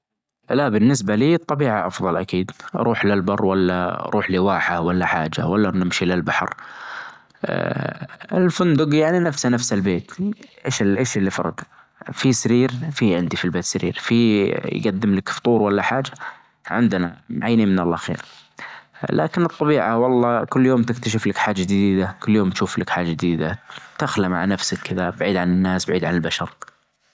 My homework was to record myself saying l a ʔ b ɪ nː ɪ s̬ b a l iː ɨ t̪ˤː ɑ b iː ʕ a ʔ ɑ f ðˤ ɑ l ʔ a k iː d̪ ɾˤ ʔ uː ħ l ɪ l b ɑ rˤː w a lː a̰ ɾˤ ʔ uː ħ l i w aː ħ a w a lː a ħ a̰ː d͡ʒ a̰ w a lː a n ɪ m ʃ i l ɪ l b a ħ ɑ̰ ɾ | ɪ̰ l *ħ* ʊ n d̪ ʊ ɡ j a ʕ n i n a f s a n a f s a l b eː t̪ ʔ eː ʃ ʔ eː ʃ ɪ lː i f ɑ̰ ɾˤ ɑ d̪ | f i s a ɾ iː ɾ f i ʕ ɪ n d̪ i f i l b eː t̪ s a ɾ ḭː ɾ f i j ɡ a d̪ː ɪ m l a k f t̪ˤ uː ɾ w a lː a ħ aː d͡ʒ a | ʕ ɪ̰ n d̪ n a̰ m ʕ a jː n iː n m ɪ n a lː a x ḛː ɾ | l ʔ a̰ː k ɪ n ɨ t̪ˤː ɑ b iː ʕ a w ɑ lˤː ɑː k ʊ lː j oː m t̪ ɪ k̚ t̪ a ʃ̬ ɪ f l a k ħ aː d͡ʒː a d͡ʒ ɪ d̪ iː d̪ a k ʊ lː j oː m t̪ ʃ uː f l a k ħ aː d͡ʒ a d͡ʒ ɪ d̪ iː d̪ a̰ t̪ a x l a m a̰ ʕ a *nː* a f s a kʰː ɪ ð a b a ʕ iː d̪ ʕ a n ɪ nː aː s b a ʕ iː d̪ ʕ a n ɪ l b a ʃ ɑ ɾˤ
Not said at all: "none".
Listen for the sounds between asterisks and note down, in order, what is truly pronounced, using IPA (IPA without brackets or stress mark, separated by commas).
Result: f, n